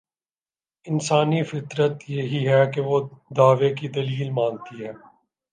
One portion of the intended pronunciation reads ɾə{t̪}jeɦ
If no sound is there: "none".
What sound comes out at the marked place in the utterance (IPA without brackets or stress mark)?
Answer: t̪